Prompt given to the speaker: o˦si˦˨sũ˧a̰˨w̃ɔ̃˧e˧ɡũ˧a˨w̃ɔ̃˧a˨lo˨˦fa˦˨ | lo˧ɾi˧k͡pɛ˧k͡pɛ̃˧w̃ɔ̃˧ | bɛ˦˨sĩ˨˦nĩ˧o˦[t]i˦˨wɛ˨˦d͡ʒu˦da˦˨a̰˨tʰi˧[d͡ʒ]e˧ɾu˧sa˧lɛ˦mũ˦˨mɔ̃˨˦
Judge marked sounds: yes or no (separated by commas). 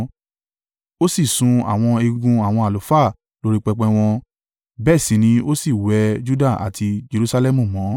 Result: no, yes